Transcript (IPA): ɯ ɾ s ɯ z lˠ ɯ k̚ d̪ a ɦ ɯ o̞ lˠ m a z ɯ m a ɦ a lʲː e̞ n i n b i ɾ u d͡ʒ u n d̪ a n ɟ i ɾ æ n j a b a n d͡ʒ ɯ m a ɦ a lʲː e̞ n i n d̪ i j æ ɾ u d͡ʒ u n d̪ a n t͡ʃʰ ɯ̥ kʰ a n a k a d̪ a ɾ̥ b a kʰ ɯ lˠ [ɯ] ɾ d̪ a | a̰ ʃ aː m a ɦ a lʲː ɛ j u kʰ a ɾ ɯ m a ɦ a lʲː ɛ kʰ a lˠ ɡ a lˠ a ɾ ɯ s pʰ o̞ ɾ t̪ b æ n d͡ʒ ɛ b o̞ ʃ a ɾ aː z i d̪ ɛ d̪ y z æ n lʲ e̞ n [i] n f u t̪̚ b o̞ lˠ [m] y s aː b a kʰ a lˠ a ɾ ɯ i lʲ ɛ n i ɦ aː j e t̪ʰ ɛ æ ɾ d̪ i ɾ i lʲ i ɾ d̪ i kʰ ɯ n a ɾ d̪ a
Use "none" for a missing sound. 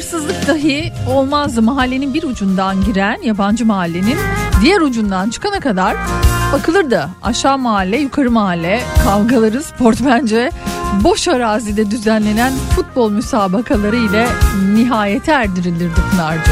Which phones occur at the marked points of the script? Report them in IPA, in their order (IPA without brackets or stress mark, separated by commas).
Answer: ɯ, æ, m